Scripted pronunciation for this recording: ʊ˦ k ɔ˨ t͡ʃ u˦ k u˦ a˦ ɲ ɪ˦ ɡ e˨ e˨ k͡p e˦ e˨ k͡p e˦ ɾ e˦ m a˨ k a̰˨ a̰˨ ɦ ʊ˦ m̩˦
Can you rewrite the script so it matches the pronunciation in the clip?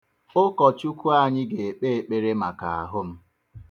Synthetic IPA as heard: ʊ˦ k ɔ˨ t͡ʃ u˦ k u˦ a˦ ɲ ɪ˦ ɡ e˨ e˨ k͡p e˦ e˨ k͡p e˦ ɾ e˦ m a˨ k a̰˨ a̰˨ ɦ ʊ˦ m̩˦